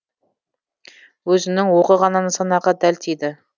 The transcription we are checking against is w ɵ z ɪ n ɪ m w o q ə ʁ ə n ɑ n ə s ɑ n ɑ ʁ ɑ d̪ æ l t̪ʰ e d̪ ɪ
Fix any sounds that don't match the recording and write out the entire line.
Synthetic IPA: w ɵ z ɪ n ɪ ŋ w o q ə ʁ ɑ n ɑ n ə s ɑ n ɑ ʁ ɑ d̪ æ l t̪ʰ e d̪ ɪ